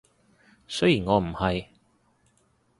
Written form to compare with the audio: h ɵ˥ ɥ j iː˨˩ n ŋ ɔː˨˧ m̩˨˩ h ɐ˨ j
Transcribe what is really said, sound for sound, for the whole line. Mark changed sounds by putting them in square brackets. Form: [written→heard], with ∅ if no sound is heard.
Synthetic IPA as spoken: [h→s] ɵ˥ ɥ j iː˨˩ n ŋ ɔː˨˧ m̩˨˩ h ɐ˨ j